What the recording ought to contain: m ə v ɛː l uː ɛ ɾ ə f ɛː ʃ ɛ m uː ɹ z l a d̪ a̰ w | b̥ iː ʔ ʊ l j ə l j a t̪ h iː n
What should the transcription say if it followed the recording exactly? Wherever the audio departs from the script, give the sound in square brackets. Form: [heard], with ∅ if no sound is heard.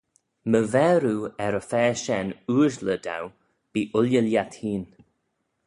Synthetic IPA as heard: m ə v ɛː [ɾ] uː ɛ ɾ ə f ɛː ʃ ɛ [n] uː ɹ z l [ə] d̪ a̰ w | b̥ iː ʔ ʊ l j ə l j a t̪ h iː n